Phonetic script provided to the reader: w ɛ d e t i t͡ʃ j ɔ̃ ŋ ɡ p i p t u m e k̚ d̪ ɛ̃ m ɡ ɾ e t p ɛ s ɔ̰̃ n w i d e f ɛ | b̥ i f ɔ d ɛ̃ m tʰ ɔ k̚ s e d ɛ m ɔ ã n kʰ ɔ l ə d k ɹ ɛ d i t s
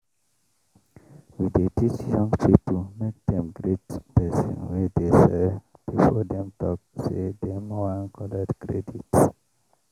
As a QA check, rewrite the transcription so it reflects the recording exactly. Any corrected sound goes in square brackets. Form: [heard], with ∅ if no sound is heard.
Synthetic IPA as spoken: w [i] d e t i t͡ʃ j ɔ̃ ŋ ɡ p i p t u m e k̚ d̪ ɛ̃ m ɡ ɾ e t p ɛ s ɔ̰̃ n w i d e [s] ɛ | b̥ i f ɔ d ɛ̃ m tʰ ɔ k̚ s e d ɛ m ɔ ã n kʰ ɔ l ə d k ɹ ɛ d i t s